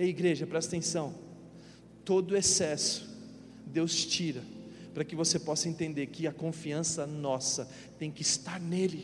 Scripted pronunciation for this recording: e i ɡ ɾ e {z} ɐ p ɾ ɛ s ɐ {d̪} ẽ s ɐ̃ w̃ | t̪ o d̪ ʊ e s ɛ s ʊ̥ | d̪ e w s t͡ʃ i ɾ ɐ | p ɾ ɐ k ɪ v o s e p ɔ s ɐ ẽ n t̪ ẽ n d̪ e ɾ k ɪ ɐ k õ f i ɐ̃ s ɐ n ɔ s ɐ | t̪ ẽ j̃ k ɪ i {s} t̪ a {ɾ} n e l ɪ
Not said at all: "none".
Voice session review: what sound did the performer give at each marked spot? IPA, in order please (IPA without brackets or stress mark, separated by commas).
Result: ʒ, t̪, s, ɾ